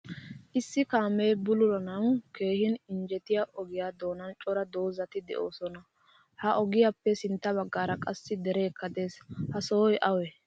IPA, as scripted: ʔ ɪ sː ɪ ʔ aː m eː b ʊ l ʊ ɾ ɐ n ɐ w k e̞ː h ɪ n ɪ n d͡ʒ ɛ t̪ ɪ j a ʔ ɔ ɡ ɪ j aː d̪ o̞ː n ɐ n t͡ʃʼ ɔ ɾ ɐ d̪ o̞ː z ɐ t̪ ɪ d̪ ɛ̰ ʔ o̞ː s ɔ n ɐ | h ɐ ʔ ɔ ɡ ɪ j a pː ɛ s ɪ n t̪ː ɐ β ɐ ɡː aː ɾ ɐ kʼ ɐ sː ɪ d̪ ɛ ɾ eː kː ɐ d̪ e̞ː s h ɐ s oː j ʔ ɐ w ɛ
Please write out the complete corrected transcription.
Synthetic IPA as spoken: ʔ ɪ sː ɪ k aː m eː b ʊ l ʊ ɾ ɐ n ɐ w k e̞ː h ɪ n ɪ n d͡ʒ ɛ t̪ ɪ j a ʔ ɔ ɡ ɪ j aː d̪ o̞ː n ɐ n t͡ʃʼ ɔ ɾ ɐ d̪ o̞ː z ɐ t̪ ɪ d̪ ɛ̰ ʔ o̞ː s ɔ n ɐ | h ɐ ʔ ɔ ɡ ɪ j a pː ɛ s ɪ n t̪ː ɐ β ɐ ɡː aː ɾ ɐ kʼ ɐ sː ɪ d̪ ɛ ɾ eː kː ɐ d̪ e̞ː s h ɐ s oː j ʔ ɐ w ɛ